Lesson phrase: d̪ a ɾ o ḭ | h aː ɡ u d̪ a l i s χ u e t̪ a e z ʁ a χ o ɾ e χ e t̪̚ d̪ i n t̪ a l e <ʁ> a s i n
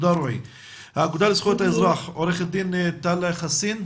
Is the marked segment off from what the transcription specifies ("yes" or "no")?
yes